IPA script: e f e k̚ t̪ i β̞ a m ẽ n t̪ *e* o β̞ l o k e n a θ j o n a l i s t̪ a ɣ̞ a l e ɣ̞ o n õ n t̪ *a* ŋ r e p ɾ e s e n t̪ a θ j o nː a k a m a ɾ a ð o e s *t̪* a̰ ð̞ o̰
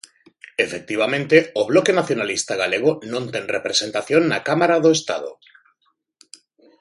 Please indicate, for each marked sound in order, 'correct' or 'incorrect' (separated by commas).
correct, incorrect, correct